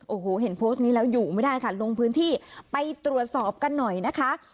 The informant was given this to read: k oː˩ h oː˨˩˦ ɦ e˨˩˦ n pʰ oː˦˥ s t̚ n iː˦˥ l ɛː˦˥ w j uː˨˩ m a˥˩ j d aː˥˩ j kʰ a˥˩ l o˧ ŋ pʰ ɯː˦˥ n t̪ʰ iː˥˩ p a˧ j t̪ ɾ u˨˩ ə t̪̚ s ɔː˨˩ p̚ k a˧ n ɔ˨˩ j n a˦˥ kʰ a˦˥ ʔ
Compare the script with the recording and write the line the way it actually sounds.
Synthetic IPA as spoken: ʔ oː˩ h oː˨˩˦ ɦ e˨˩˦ n pʰ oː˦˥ s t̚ n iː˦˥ l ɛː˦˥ w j uː˨˩ m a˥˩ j d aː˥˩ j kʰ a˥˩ l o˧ ŋ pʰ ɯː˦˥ n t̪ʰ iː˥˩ p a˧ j t̪ ɾ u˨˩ ə t̪̚ s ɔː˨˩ p̚ k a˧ nː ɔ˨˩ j n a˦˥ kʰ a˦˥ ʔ